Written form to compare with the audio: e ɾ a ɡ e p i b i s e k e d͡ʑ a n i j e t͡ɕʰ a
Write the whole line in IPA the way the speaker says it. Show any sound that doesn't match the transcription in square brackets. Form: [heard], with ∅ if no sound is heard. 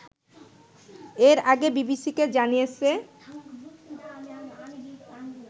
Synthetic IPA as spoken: e ɾ a ɡ e [b] i b i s [i] k e d͡ʑ a n i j e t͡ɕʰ [e]